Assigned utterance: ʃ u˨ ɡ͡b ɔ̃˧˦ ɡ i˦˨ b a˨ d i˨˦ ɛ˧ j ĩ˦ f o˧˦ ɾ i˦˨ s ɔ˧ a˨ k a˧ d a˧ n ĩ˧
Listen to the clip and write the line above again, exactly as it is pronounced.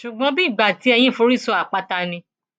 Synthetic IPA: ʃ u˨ ɡ͡b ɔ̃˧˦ b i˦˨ ɡ͡b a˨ t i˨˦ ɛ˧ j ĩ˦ f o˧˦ ɾ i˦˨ s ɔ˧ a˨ k͡p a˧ t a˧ n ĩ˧

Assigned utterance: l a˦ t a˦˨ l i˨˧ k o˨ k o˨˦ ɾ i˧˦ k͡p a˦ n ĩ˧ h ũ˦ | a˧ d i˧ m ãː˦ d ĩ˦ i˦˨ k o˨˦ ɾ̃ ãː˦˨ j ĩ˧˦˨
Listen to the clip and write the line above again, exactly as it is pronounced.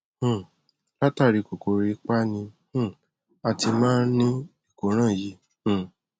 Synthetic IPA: l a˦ t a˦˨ ɾ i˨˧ k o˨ k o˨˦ ɾ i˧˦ k͡p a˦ n ĩ˧ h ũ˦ | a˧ t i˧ m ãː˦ n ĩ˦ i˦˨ k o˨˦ ɾ̃ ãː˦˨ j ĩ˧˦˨

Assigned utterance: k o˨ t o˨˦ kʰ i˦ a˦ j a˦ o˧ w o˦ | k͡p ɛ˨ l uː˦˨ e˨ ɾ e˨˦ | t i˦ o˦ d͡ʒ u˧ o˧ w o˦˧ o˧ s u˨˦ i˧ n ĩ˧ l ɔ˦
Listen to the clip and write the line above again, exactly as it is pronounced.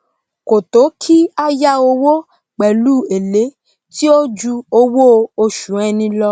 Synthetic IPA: k o˨ t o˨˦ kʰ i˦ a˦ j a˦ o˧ w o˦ | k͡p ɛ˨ l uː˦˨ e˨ l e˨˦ | t i˦ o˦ d͡ʒ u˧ o˧ w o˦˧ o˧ ʃ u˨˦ ɛ˧ n ĩ˧ l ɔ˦

